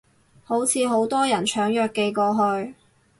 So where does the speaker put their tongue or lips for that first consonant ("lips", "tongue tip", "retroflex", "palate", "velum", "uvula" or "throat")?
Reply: throat